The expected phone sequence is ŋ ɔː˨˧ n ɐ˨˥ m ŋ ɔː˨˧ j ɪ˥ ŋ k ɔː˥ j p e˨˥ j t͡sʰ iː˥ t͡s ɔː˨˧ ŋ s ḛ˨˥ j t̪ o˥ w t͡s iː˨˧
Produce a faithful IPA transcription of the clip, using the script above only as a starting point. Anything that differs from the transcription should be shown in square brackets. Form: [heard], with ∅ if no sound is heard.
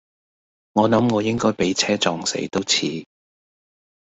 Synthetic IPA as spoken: ŋ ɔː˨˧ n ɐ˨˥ m ŋ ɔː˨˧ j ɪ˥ ŋ k ɔː˥ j p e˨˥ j t͡sʰ [ɛː˥] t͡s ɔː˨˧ ŋ s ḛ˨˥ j t̪ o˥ w [t͡sʰ] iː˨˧